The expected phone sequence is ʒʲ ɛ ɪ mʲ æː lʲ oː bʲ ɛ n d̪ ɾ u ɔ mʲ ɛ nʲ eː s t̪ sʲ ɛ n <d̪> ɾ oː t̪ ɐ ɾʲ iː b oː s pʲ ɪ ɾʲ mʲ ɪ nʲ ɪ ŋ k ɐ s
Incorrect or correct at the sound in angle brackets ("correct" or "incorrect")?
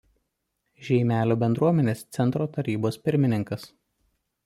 incorrect